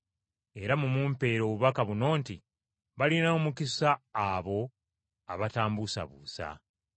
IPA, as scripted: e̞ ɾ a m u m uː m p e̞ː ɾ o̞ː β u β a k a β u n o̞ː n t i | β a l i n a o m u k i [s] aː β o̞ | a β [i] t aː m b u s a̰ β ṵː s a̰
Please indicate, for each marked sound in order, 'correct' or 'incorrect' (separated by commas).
correct, incorrect